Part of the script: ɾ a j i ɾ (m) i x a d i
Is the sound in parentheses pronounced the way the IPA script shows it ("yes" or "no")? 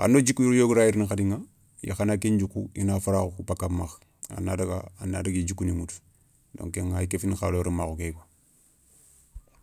no